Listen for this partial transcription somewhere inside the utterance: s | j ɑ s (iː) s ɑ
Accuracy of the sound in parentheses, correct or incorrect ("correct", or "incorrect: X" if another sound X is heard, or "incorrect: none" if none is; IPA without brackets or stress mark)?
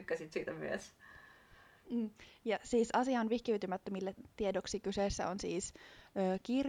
correct